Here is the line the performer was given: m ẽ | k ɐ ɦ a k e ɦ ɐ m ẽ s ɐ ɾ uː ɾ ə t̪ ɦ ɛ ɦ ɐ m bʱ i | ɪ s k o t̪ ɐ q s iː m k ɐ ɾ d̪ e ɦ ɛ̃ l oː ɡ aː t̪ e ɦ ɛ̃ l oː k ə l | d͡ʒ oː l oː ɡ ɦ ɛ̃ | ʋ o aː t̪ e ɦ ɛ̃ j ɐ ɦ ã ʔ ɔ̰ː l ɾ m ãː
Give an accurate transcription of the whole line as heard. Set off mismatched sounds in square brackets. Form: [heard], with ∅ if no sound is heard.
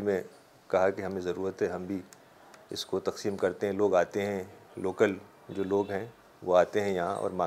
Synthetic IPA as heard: m ẽ | k ɐ ɦ a k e ɦ ɐ m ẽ [z] ɐ ɾ uː ɾ ə t̪ ɦ ɛ ɦ ɐ m bʱ i | ɪ s k o t̪ ɐ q s iː m k ɐ ɾ [t̪] e ɦ ɛ̃ l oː ɡ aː t̪ e ɦ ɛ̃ l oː k ə l | d͡ʒ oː l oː ɡ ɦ ɛ̃ | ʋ o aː t̪ e ɦ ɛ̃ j ɐ ɦ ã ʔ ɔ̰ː [∅] ɾ m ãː